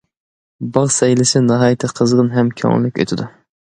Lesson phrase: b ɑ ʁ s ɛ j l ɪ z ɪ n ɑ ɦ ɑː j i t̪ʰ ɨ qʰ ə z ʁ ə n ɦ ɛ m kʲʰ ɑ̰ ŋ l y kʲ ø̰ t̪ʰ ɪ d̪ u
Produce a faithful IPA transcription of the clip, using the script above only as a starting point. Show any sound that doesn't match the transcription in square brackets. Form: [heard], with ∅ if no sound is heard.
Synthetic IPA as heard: b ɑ ʁ s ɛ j l ɪ [s] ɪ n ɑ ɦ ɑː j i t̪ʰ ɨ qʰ ə z ʁ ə n ɦ ɛ m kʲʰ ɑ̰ ŋ l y kʲ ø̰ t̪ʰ ɪ d̪ u